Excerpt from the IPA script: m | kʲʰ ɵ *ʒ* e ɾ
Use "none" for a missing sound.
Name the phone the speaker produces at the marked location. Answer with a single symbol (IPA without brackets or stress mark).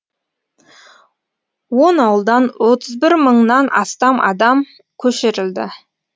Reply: ʃ